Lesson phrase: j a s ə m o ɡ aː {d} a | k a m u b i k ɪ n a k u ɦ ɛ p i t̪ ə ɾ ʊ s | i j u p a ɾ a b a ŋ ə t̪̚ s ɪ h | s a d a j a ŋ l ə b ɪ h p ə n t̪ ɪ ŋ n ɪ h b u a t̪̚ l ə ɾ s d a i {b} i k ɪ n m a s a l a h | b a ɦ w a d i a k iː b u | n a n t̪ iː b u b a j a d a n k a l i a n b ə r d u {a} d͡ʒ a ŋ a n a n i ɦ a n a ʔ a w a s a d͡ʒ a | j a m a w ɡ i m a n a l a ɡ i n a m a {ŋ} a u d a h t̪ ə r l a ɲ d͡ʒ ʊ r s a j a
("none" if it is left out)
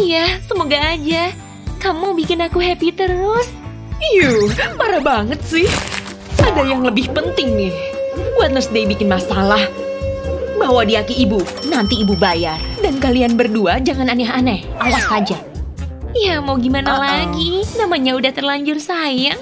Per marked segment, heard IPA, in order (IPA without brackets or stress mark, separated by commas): d͡ʒ, b, a, ɲ